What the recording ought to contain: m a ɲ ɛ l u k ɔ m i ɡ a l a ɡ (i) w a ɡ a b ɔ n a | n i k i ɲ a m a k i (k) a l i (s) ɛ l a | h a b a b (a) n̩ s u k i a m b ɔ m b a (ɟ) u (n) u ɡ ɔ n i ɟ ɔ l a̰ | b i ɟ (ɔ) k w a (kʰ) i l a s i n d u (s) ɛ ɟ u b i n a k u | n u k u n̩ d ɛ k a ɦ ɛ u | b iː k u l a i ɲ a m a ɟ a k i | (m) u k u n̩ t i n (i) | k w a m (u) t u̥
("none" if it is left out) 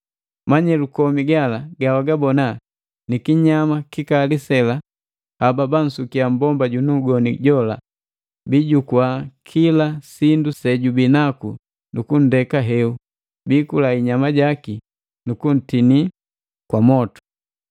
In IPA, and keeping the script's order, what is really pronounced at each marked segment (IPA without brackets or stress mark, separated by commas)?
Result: a, k, s, a, ɟ, n, u, kʰ, s, n, i, ɔ